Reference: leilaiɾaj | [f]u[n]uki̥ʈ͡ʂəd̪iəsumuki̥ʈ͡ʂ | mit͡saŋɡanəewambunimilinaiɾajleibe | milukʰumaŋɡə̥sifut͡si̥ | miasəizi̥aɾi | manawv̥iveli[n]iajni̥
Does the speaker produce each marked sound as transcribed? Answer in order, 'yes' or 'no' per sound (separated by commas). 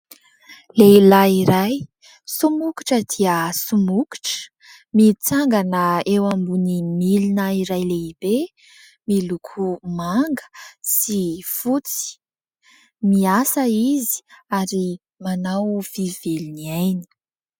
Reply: no, no, yes